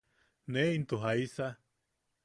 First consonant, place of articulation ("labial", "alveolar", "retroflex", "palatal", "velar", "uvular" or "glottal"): alveolar